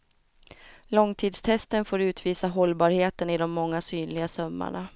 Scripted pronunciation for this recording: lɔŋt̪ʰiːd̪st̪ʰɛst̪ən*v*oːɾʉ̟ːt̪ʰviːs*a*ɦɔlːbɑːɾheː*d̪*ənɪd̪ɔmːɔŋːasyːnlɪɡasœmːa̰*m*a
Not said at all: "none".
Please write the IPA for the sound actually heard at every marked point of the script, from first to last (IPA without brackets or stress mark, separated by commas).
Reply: f, a, t̪, ɳ